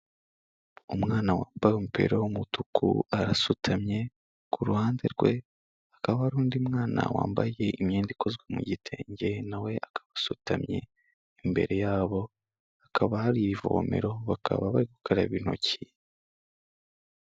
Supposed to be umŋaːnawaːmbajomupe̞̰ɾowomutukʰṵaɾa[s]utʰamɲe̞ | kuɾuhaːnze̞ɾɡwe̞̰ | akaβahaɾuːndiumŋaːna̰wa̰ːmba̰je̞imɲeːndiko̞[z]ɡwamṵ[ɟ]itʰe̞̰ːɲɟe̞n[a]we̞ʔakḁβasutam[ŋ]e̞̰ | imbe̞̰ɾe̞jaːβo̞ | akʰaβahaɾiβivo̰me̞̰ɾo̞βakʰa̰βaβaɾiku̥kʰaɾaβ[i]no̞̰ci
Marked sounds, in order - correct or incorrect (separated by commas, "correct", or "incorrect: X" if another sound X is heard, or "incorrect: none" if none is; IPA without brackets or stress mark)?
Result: correct, correct, correct, correct, incorrect: ɲ, correct